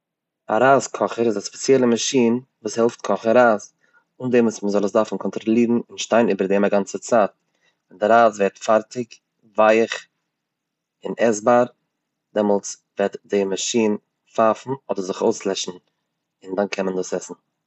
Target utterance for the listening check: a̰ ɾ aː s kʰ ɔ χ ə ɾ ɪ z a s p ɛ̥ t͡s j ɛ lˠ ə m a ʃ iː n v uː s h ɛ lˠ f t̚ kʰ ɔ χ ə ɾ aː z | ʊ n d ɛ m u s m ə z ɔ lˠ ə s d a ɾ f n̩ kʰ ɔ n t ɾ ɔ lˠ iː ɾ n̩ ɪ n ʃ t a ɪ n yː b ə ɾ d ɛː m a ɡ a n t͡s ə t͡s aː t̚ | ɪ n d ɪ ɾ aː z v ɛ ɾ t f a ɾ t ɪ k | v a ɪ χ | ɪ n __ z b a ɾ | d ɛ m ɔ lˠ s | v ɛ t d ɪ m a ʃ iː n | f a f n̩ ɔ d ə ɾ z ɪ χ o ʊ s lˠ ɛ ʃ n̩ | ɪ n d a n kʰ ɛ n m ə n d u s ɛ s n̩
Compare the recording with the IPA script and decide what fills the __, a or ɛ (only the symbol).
ɛ